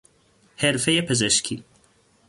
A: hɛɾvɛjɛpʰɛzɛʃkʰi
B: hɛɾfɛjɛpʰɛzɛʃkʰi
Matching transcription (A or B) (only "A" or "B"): B